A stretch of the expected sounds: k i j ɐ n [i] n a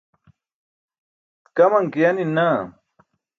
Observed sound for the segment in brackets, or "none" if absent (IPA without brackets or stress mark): i